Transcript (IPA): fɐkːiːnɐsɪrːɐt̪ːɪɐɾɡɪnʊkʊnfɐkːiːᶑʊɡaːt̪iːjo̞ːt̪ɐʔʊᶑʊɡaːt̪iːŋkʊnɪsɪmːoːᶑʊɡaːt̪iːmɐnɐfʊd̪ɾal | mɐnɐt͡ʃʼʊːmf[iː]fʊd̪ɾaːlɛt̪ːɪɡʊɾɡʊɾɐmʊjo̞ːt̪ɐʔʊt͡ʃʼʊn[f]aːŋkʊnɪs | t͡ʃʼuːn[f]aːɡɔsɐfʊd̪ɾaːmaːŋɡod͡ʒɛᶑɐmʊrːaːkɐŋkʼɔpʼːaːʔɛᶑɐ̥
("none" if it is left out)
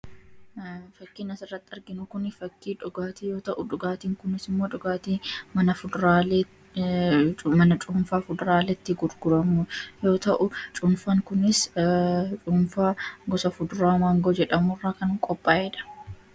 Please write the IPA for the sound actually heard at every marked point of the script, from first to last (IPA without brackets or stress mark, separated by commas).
aː, f, f